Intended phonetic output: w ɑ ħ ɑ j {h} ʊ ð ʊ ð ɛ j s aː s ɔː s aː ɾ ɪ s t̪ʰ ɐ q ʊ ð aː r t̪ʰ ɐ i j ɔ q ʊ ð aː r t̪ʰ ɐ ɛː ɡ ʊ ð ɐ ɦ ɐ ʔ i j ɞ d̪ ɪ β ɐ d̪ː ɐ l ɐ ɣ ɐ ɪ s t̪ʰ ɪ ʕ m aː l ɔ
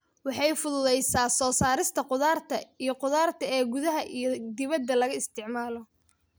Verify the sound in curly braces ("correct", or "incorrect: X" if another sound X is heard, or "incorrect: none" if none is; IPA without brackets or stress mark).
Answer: incorrect: f